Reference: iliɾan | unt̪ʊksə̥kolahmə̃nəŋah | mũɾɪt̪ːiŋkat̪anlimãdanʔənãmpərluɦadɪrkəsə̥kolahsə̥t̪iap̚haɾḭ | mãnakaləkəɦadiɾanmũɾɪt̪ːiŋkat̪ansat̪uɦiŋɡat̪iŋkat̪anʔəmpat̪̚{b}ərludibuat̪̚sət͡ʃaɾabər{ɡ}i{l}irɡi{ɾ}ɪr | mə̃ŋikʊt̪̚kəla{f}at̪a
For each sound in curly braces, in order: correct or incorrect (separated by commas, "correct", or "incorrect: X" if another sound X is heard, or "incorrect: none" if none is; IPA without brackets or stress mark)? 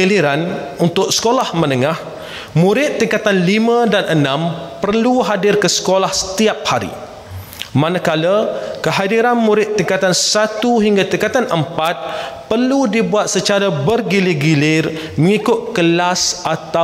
incorrect: p, correct, correct, incorrect: l, incorrect: s